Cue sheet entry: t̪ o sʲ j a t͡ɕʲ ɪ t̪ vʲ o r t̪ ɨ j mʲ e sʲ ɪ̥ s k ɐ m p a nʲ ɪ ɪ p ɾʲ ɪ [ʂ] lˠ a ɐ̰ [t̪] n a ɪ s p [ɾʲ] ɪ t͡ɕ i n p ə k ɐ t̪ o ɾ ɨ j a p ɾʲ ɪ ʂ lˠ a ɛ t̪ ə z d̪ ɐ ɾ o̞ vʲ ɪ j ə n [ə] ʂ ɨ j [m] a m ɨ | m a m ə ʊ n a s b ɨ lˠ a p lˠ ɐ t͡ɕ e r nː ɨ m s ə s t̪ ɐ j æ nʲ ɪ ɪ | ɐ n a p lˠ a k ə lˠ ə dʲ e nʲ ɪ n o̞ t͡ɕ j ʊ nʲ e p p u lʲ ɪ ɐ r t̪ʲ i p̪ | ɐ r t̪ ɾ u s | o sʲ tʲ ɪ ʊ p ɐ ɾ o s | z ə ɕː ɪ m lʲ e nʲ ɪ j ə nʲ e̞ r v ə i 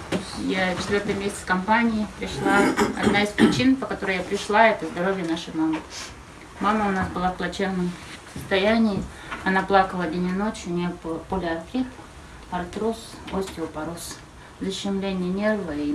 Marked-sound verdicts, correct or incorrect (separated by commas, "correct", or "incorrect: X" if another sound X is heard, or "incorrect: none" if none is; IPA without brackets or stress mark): correct, incorrect: d̪, correct, incorrect: a, correct